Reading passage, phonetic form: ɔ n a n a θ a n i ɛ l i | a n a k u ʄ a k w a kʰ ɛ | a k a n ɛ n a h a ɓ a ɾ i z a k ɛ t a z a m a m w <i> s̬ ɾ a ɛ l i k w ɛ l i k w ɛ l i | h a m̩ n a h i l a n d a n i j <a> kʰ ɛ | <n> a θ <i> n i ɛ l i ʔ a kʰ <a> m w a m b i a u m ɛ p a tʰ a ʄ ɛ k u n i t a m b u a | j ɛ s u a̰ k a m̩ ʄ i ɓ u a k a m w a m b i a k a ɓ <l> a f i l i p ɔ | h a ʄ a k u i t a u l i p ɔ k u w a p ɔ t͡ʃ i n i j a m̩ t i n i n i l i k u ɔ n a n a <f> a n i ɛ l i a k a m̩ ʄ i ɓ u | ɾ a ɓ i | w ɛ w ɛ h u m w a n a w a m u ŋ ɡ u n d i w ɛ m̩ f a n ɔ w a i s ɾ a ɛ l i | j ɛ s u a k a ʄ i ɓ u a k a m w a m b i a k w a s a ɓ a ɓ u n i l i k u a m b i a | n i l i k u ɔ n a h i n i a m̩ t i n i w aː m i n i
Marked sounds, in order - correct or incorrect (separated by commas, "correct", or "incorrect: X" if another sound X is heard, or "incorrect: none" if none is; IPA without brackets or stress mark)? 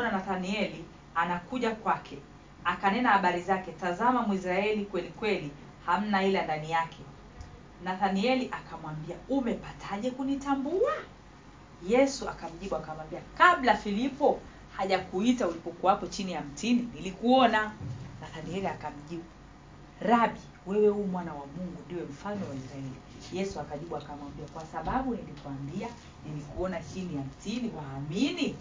correct, correct, correct, incorrect: a, correct, correct, incorrect: θ